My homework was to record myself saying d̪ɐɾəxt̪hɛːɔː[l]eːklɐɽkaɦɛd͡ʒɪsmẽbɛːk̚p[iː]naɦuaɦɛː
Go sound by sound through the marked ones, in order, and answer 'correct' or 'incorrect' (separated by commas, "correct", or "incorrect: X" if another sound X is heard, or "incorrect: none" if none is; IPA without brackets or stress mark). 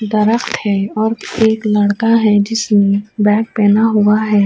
incorrect: ɾ, incorrect: ɛː